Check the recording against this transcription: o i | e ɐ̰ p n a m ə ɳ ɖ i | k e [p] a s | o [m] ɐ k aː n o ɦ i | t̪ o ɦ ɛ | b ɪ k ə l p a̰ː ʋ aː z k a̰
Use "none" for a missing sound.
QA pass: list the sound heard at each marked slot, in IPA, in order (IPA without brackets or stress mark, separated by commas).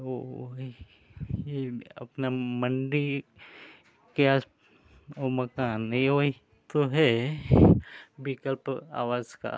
none, m